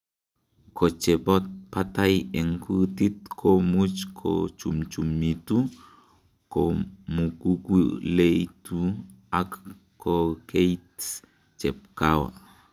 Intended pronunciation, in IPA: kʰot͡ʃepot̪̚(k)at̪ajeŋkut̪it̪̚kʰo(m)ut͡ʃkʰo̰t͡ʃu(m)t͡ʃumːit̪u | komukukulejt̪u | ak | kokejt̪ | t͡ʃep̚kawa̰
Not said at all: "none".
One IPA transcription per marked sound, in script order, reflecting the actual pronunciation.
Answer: p, m, m

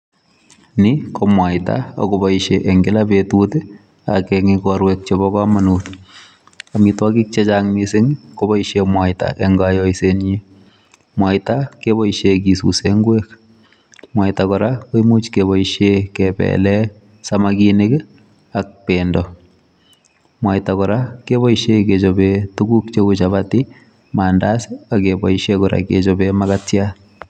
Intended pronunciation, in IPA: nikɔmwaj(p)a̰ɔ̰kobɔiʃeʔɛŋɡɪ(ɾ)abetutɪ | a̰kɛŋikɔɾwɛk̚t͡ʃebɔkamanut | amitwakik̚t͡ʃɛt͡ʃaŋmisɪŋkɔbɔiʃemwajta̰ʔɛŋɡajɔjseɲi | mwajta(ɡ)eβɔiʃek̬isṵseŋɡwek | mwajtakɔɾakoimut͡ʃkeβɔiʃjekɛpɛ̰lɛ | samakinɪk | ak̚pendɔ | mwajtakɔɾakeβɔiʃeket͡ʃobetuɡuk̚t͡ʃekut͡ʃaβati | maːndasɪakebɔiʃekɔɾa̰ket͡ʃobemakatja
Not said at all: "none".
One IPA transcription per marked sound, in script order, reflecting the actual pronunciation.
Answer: t, l, k

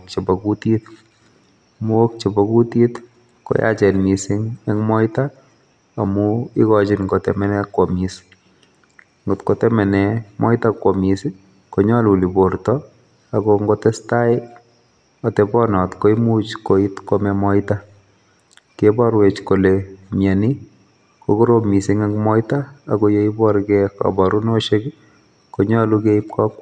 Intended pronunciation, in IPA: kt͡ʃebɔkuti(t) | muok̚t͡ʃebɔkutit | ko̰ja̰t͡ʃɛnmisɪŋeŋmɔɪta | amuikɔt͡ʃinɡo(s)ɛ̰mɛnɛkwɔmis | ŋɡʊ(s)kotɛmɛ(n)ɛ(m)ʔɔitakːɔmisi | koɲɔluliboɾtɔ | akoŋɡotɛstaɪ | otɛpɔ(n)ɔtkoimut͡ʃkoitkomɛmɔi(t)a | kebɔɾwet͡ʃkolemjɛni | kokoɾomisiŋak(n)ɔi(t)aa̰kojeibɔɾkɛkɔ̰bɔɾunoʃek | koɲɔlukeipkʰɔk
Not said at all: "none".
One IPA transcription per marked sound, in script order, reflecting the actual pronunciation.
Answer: t, t, t, n, m, n, t, m, t

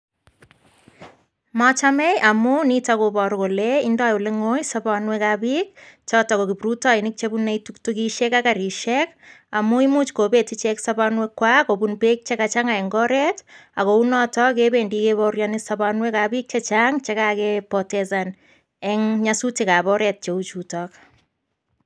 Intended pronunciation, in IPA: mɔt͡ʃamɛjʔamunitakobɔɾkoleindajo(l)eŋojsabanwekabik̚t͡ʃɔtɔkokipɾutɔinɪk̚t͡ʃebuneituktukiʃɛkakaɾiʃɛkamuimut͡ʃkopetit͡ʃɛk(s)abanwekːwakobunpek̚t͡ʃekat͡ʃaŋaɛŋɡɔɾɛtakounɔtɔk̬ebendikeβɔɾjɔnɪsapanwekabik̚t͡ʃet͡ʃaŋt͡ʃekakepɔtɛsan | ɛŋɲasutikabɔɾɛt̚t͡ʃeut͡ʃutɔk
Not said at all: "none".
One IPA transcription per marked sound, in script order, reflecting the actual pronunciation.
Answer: l, s

